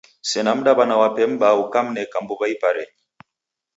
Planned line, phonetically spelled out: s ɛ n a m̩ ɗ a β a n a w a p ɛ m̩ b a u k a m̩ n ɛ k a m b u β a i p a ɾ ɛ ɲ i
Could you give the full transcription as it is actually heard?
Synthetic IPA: s ɛ n a m̩ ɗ a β a n a w a p ɛ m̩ b a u k a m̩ n ɛ k a m b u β a i p a ɾ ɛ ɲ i